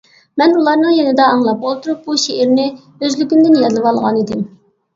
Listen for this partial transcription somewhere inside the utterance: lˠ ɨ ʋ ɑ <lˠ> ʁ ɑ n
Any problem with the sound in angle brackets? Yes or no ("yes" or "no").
no